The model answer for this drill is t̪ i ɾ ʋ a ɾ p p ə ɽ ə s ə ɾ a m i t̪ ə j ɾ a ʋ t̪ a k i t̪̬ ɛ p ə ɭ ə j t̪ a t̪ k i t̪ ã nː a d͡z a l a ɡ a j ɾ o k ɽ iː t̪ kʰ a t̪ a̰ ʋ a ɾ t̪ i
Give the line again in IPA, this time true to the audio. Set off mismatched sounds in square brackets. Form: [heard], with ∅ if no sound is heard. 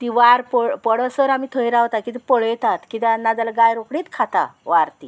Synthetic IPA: t̪ i [∅] ʋ a ɾ p p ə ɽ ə s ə ɾ a m i [t̪ʰ] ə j ɾ a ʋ t̪ a k i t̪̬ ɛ p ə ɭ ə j t̪ a t̪ k i t̪ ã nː a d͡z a l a ɡ a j ɾ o k ɽ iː t̪ kʰ a t̪ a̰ ʋ a ɾ t̪ i